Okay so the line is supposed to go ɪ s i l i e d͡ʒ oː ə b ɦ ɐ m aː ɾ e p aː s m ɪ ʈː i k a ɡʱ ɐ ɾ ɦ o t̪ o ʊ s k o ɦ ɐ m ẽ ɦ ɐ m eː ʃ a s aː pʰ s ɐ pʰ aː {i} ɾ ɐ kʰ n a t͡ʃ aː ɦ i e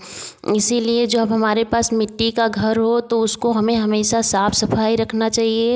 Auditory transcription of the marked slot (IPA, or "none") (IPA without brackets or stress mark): i